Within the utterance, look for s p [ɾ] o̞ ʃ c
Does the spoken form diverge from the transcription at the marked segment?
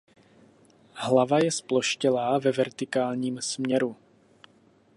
yes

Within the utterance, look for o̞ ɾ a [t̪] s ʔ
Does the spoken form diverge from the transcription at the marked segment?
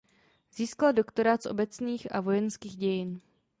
no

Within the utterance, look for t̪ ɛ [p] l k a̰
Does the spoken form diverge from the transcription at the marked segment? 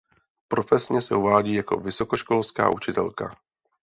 yes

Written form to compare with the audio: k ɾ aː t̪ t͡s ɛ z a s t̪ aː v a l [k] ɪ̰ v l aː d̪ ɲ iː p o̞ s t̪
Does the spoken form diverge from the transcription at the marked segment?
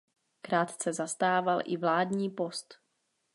yes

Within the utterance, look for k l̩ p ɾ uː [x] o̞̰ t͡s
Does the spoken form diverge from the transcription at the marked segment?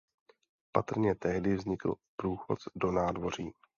no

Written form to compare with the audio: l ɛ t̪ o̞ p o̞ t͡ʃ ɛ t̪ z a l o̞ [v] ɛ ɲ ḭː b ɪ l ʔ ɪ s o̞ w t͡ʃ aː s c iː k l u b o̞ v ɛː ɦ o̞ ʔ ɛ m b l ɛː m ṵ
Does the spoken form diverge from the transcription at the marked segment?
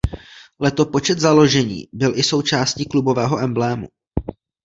yes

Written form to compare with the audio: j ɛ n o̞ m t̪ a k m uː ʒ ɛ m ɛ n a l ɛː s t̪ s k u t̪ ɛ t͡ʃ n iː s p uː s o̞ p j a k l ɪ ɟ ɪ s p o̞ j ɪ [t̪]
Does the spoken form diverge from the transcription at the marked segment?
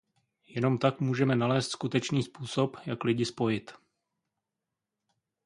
no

